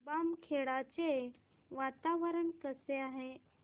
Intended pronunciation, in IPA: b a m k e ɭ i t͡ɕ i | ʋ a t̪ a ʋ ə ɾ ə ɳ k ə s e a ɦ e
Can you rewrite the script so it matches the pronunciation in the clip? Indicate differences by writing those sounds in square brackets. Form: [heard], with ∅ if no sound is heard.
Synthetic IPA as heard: b a m [kʰ] e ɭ [a] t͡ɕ [e] | ʋ a t̪ a ʋ ə ɾ ə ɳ k ə s e a ɦ e